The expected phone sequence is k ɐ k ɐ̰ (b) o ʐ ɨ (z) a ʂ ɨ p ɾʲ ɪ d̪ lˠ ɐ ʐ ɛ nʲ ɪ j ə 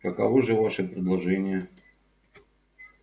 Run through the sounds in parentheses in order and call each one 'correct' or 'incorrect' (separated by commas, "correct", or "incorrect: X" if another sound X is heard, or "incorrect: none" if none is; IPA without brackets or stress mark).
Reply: incorrect: v, incorrect: v